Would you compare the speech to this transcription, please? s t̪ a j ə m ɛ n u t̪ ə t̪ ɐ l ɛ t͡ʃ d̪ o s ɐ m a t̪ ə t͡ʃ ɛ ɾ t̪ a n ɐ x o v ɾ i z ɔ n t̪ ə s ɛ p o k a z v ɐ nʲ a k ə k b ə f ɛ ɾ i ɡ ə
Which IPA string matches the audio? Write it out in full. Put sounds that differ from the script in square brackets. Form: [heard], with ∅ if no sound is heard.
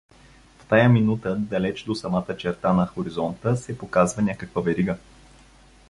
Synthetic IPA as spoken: [f] t̪ a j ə m [i] n u t̪ ə [d̪] ɐ l ɛ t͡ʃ d̪ o s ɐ m a t̪ ə t͡ʃ ɛ ɾ t̪ a n ɐ x o [∅] ɾ i z ɔ n t̪ ə s ɛ p o k a z v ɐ nʲ a k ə k [v] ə [v] ɛ ɾ i ɡ ə